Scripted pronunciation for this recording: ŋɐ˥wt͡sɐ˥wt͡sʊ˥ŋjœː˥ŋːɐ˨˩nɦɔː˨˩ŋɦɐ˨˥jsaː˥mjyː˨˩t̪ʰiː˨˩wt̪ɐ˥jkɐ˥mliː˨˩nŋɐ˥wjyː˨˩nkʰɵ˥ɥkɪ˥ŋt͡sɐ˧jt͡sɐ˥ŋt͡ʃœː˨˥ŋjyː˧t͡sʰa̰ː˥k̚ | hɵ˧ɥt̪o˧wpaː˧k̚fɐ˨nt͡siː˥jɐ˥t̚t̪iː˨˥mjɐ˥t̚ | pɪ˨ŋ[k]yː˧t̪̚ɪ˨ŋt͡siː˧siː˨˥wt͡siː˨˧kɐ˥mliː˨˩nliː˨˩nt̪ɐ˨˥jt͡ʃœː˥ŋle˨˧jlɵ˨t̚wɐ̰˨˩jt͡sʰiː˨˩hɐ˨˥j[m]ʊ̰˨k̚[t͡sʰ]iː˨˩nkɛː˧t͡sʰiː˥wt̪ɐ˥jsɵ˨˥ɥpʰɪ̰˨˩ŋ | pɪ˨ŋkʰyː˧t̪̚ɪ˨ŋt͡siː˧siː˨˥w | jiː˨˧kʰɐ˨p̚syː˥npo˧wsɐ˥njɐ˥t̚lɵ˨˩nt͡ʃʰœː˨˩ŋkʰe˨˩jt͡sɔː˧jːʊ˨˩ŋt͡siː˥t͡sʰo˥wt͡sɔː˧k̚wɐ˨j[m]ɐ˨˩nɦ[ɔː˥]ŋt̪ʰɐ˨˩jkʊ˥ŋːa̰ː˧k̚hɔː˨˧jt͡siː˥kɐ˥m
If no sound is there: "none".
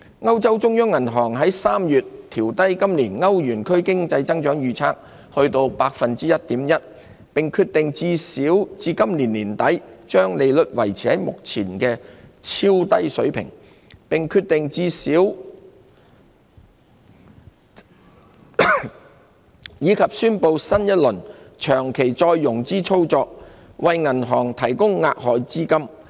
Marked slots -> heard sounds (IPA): kʰ, m, t͡sʰ, ŋ, ɔː˨˩

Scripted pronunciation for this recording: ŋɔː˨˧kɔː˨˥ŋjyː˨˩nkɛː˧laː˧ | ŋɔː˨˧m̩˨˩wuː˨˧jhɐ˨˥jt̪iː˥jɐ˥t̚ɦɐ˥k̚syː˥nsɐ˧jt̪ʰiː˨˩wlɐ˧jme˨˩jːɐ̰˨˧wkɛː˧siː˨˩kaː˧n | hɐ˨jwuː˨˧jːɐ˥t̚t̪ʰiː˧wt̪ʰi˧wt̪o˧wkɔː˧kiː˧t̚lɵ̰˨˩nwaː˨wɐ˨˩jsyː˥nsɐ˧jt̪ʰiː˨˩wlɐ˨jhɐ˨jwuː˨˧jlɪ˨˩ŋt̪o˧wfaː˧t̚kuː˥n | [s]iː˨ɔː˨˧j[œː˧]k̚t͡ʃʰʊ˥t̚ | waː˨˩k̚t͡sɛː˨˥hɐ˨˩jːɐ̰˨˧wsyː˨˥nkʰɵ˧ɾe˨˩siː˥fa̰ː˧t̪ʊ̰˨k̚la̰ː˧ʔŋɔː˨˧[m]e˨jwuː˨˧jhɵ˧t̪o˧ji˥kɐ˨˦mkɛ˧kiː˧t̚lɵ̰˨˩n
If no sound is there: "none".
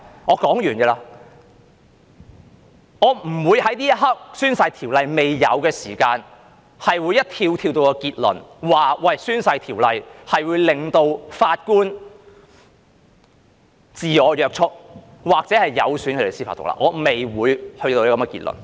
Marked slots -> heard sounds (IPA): t͡s, œː˧, m

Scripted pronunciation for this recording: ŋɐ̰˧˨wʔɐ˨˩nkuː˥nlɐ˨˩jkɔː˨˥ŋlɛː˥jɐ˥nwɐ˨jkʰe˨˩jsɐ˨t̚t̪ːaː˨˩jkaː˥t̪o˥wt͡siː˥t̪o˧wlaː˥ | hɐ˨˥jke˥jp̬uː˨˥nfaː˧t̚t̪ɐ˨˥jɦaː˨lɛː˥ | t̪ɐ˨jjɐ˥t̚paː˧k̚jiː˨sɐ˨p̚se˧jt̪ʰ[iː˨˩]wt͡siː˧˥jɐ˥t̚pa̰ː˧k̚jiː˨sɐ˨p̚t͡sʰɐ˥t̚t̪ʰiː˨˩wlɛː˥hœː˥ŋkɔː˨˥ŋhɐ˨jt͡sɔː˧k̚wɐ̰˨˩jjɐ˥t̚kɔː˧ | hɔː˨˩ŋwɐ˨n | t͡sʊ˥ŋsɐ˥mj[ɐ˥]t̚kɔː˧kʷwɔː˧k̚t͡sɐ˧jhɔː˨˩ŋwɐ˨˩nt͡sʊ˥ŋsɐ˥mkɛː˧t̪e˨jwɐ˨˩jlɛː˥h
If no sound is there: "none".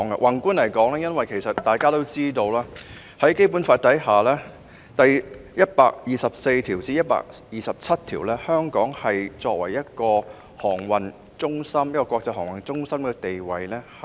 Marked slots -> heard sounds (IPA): iː˨˩, ɐ˥

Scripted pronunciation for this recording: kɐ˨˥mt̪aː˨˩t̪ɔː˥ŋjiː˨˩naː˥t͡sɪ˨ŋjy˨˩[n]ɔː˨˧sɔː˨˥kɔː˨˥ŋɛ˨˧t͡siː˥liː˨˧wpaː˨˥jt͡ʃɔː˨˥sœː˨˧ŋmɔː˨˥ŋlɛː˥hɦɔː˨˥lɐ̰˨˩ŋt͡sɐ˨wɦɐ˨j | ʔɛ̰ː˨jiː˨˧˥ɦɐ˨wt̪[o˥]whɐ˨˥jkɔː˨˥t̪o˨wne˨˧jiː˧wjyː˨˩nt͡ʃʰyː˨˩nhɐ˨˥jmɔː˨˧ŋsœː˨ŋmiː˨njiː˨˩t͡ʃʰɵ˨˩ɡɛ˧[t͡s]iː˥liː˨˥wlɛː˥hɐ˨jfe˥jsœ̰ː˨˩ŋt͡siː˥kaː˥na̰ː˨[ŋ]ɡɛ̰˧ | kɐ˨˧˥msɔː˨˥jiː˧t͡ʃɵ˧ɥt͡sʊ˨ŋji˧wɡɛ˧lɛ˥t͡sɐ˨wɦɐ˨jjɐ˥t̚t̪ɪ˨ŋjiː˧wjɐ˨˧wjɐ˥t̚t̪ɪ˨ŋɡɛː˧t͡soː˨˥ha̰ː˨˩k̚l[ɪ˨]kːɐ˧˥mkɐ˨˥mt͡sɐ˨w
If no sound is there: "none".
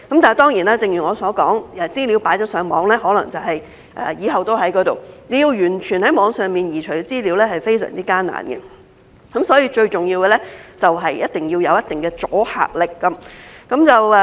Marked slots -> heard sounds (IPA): ŋ, o˥, t͡s, n, ɪ˨

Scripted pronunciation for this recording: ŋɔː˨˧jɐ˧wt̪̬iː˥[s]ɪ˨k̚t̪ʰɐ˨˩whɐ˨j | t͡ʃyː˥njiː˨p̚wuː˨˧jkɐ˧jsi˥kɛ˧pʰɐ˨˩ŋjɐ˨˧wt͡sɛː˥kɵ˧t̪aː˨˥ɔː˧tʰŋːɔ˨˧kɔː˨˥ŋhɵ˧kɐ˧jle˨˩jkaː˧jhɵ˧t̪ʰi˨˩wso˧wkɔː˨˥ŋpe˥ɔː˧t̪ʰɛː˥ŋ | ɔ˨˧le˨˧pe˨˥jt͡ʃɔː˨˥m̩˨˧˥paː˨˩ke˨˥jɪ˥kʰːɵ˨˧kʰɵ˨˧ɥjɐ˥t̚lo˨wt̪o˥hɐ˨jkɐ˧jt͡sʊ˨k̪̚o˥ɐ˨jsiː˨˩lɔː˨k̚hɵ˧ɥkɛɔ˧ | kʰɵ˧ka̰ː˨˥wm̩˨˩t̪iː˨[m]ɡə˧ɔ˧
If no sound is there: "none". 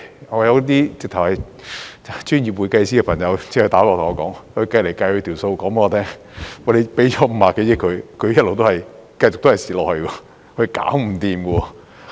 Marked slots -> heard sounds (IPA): t͡s, m

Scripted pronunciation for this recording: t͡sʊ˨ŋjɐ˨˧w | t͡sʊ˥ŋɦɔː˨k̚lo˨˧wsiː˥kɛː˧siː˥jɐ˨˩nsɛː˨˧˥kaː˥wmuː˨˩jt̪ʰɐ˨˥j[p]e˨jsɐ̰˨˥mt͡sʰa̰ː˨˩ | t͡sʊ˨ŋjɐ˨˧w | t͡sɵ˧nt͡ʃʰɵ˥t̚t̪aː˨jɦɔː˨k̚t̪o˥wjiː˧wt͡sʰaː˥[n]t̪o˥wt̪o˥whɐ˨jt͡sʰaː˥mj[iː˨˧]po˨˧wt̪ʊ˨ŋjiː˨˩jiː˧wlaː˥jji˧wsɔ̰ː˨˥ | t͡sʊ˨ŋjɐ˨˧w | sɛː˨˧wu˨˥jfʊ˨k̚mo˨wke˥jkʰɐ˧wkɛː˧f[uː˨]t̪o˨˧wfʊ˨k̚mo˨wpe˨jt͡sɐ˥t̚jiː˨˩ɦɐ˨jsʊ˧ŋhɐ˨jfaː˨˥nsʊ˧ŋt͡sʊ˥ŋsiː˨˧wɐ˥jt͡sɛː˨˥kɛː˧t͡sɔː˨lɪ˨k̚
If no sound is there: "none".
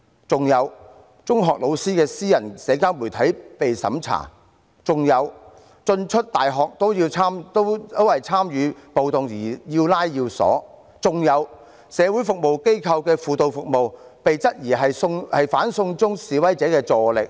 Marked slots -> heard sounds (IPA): p, m, yː˨˧, uː˨

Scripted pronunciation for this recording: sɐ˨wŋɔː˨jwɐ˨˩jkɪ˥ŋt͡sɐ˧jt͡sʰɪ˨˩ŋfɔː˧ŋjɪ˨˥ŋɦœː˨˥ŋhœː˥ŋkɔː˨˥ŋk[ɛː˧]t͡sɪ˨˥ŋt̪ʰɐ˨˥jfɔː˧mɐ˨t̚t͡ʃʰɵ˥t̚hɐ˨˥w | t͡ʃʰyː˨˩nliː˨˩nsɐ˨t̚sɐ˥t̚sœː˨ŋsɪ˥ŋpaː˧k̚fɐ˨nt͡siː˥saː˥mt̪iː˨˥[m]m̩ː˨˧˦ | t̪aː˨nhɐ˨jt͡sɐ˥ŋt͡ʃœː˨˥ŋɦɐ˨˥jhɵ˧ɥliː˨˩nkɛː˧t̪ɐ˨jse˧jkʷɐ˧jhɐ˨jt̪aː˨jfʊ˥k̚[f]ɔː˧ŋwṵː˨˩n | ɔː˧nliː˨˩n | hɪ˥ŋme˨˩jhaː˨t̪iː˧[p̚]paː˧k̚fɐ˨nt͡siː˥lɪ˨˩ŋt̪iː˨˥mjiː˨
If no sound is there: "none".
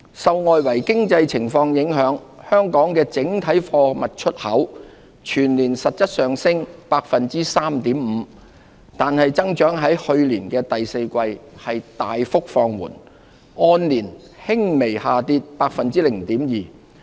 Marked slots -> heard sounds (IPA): ɛː˧, m, f, t̚

